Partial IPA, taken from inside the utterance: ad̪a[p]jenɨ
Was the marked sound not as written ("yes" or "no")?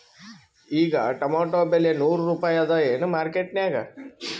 yes